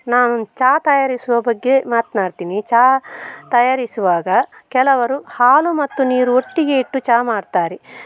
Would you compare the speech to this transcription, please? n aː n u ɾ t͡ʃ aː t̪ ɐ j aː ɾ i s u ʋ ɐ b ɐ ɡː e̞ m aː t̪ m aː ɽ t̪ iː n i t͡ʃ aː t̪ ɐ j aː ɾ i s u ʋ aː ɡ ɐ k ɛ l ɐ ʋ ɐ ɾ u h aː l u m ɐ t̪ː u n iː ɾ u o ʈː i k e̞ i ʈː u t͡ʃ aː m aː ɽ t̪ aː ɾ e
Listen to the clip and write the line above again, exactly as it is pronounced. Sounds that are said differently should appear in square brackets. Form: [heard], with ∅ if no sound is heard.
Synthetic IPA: n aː n u [∅] t͡ʃ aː t̪ ɐ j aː ɾ i s u ʋ ɐ b ɐ ɡː e̞ m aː t̪ [n] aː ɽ t̪ iː n i t͡ʃ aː t̪ ɐ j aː ɾ i s u ʋ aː ɡ ɐ k ɛ l ɐ ʋ ɐ ɾ u h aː l u m ɐ t̪ː u n iː ɾ u o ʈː i [ɡ] e̞ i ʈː u t͡ʃ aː m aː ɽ t̪ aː ɾ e